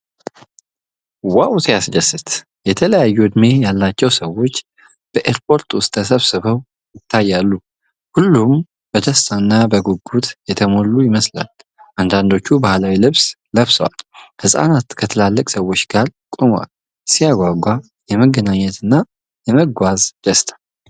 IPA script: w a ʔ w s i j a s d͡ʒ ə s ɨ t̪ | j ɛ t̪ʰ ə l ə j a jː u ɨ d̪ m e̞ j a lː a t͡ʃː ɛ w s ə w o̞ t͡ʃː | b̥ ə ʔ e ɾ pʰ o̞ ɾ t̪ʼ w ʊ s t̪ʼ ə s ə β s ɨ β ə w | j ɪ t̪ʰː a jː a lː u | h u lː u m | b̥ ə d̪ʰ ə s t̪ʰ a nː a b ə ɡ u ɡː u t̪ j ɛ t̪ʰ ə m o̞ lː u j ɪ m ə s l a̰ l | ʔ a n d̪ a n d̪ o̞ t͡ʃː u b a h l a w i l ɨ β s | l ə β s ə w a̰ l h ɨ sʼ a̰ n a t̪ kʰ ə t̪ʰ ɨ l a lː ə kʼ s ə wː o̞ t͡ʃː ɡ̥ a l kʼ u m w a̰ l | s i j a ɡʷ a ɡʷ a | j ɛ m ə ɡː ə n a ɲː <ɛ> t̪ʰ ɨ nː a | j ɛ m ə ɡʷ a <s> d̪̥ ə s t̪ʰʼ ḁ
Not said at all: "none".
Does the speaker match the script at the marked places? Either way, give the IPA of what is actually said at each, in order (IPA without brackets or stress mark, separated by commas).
ɛ, z